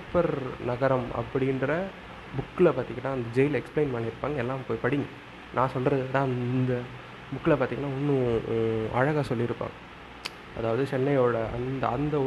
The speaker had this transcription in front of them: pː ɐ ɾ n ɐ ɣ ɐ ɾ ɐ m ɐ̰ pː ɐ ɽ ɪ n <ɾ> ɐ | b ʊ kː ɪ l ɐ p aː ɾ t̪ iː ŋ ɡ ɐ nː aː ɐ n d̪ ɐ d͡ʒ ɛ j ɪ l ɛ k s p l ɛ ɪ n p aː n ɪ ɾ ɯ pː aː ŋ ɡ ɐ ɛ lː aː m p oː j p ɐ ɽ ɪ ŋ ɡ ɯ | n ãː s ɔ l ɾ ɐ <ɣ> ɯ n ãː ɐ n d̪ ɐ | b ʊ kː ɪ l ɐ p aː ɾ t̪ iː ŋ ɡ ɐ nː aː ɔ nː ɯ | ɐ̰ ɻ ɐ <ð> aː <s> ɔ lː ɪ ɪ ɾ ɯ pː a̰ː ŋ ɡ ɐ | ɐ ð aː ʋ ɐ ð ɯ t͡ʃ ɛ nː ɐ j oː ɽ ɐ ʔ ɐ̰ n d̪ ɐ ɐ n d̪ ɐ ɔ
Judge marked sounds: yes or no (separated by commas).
yes, no, no, yes